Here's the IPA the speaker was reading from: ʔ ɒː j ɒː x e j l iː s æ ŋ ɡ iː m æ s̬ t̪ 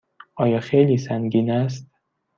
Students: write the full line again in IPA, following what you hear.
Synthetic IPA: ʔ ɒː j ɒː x e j l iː s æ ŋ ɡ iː n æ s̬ t̪